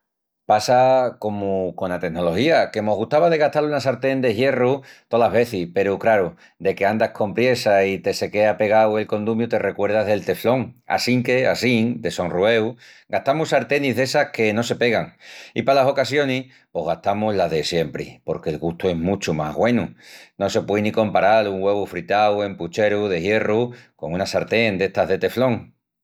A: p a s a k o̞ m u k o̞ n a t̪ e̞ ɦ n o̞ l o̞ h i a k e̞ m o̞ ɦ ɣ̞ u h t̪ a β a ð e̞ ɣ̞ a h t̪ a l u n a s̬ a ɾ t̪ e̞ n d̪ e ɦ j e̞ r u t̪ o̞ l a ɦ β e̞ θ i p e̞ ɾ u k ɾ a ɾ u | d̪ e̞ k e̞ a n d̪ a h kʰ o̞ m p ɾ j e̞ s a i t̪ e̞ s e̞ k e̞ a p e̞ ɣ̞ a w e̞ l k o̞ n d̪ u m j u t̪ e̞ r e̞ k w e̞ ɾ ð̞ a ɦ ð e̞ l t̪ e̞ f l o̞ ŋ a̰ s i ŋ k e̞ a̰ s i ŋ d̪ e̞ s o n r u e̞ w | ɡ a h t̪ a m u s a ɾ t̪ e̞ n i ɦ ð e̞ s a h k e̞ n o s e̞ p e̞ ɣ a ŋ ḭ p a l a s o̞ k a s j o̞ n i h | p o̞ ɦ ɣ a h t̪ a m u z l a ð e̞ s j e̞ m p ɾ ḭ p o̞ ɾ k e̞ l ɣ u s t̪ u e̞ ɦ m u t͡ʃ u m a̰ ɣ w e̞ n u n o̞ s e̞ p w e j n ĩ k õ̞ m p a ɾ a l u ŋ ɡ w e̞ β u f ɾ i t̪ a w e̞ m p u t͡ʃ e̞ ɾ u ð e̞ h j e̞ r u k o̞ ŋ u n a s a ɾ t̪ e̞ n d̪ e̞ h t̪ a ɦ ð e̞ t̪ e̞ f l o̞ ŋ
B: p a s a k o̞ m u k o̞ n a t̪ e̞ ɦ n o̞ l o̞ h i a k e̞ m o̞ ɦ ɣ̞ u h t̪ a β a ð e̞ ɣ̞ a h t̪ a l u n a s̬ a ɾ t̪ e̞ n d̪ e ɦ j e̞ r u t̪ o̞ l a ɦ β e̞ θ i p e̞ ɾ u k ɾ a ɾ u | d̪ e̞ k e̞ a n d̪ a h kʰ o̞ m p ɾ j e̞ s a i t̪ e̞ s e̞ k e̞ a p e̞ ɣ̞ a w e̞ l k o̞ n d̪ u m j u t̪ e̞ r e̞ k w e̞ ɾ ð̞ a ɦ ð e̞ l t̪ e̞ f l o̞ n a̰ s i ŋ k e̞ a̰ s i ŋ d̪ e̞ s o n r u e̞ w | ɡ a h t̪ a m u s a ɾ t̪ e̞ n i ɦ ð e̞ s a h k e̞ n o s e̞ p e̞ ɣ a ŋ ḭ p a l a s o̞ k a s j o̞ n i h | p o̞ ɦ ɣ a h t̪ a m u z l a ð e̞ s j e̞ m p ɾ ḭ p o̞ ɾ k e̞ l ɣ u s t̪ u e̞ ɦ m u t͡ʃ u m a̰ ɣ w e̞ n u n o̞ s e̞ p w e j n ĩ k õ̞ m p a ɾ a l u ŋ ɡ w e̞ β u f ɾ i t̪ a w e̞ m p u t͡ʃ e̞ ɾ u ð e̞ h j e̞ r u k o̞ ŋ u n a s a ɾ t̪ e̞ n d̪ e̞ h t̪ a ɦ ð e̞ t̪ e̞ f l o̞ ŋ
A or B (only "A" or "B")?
A